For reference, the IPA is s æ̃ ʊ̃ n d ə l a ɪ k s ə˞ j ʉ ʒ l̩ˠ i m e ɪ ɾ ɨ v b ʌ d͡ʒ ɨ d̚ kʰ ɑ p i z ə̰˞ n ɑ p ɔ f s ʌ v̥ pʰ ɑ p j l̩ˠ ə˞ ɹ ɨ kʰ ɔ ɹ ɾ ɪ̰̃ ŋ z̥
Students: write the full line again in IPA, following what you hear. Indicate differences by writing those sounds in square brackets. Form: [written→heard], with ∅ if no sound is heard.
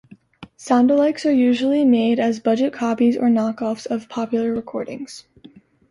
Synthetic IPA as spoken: s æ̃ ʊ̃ n d ə l a ɪ k s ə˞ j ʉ ʒ l̩ˠ i m e ɪ ɾ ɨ [v→z] b ʌ d͡ʒ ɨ [d̚→t̚] kʰ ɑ p i z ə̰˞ n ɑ [p→k] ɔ f s ʌ v̥ pʰ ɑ p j l̩ˠ ə˞ ɹ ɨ kʰ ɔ ɹ ɾ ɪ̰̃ ŋ z̥